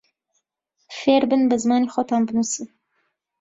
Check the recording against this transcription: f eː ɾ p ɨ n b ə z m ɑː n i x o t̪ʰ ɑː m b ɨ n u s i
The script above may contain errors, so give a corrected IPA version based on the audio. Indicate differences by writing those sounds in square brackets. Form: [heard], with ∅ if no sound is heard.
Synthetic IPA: f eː ɾ [b] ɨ n b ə z m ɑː n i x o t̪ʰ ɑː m b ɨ n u s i